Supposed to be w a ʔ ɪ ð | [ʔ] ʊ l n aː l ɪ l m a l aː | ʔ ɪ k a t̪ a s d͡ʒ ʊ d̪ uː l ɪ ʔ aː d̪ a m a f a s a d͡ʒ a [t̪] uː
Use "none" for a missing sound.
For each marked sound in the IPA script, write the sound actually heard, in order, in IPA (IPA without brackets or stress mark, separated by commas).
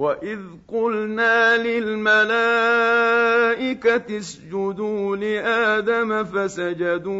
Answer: q, d̪